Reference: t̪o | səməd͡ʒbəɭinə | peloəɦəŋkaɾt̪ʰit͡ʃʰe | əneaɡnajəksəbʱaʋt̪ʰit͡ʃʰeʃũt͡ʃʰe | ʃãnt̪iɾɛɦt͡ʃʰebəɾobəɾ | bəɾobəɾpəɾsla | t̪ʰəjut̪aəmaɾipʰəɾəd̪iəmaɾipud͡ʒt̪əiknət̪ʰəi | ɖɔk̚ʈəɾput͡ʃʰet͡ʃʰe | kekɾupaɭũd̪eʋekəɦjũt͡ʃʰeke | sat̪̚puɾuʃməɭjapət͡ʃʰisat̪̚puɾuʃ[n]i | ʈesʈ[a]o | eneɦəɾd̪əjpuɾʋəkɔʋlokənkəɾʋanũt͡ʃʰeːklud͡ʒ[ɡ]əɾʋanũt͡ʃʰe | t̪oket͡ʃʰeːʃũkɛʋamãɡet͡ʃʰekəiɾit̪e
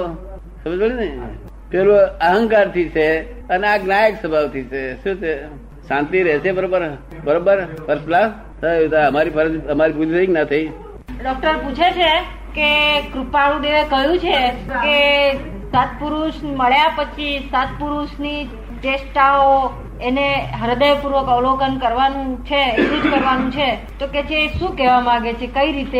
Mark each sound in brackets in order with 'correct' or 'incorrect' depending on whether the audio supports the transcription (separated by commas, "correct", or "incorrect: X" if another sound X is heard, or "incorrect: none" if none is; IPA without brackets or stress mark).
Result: correct, correct, incorrect: k